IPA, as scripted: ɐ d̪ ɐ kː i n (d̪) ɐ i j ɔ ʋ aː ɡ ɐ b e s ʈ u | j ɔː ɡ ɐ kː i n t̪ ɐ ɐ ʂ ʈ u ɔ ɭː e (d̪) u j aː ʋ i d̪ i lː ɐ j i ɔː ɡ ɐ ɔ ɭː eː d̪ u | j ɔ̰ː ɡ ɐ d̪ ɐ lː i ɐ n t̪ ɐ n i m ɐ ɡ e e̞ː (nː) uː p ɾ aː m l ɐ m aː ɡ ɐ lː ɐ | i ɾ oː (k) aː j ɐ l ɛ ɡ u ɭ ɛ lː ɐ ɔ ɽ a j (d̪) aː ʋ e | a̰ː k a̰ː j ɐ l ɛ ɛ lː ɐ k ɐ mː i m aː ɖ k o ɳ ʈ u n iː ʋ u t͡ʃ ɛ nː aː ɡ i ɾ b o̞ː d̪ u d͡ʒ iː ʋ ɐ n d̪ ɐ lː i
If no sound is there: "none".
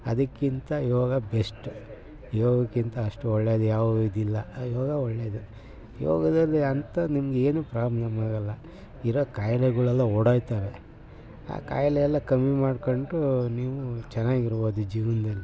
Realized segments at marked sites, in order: t̪, d̪, n, k, t̪

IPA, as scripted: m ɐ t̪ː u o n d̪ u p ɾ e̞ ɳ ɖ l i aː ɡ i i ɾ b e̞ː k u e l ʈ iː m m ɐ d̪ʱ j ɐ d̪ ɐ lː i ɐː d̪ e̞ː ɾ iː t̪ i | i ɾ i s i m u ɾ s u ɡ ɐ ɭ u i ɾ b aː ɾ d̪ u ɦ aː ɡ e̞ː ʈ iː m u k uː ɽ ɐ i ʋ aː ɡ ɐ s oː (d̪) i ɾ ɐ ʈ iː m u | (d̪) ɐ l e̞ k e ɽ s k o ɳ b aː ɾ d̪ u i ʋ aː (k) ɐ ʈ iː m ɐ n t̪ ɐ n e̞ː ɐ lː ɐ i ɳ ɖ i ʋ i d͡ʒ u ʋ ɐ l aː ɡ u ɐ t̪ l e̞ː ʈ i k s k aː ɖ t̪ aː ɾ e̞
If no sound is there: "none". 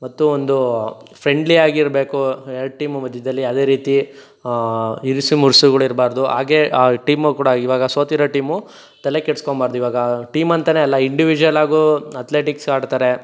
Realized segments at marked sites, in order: t̪, t̪, ɡ

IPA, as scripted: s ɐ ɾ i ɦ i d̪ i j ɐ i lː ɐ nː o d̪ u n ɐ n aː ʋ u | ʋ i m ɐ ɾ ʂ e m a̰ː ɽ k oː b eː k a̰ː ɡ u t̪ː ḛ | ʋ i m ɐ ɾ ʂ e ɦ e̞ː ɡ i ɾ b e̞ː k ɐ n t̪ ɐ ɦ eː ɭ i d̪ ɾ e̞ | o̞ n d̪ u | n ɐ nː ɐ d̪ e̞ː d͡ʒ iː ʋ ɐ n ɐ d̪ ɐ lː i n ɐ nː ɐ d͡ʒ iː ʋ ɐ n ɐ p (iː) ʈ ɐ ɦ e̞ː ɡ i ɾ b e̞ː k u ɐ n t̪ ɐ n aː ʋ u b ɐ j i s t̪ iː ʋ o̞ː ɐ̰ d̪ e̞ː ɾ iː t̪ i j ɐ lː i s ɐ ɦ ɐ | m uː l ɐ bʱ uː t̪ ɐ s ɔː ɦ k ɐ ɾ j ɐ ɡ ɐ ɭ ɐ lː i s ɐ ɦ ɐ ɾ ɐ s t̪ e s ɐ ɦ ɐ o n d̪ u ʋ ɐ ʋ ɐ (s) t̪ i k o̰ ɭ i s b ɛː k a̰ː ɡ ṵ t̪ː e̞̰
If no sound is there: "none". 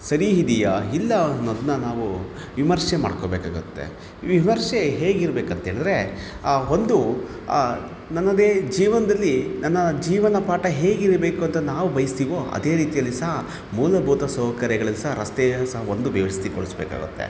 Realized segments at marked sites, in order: aː, s

